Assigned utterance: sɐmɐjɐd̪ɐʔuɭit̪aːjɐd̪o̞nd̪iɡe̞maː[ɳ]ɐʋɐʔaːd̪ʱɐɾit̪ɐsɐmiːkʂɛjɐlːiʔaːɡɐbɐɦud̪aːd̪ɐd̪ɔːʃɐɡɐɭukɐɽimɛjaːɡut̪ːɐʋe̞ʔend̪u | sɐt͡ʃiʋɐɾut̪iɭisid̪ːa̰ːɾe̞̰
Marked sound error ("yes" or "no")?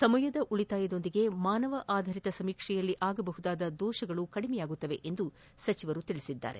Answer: yes